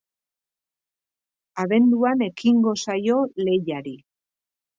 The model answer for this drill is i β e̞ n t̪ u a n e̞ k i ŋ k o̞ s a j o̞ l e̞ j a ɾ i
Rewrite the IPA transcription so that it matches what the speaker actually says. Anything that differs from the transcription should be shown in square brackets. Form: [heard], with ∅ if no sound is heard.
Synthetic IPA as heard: [a] β e̞ n [d̪] u a n e̞ k i ŋ [ɡ] o̞ s a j o̞ l e̞ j a ɾ i

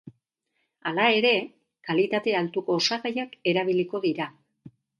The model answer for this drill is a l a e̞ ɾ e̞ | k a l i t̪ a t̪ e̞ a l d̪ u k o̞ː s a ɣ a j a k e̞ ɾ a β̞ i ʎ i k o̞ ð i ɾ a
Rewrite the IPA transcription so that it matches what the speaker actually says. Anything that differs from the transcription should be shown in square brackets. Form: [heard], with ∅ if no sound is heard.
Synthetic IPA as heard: a l a e̞ ɾ e̞ | k a l i t̪ a t̪ e̞ a l [t̪] u k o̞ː s a ɣ a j a k e̞ ɾ a β̞ i [l] i k o̞ ð i ɾ a

